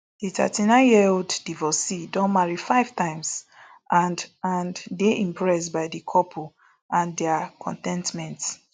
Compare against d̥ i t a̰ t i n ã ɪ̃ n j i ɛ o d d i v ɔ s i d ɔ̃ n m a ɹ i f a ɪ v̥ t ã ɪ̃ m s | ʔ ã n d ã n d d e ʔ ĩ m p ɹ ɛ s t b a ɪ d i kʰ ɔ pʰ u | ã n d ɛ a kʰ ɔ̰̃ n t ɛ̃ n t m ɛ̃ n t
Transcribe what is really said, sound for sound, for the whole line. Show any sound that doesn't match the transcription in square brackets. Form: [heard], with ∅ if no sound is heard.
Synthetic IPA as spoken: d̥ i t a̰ t i n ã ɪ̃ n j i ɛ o d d i v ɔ s i d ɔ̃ n m a ɹ i f a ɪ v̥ t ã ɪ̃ m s | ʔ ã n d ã n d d e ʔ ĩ m p ɹ ɛ s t b a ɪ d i kʰ ɔ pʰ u | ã n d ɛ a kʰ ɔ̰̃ n t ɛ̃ n t m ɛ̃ n t